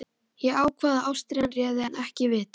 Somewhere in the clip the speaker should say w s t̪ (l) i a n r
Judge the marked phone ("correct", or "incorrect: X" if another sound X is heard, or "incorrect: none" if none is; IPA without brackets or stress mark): incorrect: ɾ